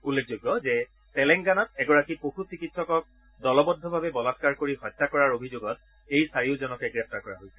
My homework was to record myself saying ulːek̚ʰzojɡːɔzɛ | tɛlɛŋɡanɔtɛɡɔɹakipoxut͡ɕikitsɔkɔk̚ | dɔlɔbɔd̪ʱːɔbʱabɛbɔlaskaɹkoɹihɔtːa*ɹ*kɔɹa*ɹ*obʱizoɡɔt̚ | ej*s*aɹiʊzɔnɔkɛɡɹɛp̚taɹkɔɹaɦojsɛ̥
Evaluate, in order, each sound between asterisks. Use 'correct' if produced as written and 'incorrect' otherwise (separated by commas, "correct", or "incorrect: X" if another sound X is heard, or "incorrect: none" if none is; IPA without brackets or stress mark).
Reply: incorrect: none, correct, correct